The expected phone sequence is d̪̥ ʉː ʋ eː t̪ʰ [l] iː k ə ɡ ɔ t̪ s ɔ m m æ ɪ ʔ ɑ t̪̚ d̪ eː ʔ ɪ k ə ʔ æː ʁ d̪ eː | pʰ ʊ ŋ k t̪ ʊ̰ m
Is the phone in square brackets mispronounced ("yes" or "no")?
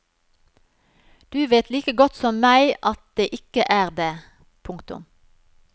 no